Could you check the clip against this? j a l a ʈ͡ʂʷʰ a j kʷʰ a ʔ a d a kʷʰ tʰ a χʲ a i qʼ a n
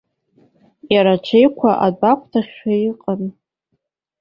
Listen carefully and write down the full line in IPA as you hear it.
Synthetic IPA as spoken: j a ɾ a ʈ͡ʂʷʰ e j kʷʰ a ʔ a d a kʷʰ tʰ a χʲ a i qʼ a n